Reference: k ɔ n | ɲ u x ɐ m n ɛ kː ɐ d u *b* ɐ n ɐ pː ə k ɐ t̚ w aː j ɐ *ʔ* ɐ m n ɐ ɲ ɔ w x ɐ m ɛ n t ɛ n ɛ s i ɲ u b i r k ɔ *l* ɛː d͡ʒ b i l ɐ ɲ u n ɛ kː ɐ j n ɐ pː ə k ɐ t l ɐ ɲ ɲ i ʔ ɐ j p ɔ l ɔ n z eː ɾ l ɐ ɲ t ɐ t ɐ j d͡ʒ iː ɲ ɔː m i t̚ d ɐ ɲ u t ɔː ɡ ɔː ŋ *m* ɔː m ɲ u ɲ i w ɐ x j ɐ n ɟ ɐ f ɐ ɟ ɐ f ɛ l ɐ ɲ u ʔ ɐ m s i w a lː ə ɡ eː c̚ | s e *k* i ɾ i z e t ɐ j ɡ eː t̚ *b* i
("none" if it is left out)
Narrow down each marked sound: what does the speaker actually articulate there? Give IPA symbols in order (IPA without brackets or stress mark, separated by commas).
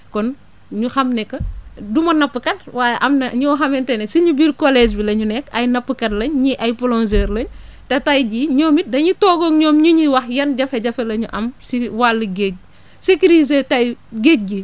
m, ʔ, l, ɲ, k, ɡ